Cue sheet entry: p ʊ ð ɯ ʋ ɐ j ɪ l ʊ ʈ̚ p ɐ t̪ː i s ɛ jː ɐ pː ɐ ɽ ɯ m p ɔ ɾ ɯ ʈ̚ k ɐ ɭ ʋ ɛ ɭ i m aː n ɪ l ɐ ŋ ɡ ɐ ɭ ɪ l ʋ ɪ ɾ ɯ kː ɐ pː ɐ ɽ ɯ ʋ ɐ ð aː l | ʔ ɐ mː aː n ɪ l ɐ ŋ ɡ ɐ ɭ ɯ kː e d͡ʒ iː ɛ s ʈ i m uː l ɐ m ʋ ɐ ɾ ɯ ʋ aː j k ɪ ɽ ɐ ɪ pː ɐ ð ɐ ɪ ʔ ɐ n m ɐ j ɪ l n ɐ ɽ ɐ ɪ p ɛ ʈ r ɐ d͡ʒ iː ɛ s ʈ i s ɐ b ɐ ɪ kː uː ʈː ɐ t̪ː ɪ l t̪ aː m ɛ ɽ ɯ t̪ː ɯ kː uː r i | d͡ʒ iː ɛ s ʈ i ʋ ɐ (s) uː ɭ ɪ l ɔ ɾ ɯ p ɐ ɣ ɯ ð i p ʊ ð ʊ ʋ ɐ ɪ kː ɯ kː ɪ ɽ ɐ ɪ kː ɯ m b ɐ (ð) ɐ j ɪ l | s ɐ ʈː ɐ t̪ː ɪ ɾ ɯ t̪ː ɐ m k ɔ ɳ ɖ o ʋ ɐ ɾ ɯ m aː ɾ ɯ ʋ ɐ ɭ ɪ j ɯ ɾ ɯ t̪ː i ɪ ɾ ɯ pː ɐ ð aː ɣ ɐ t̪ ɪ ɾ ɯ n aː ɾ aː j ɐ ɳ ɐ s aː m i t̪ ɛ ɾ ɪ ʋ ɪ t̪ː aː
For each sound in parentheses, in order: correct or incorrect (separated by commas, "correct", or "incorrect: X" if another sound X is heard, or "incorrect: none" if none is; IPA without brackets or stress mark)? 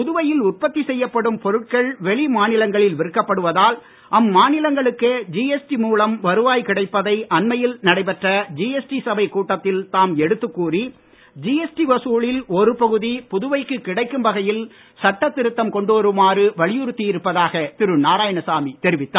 correct, incorrect: ɣ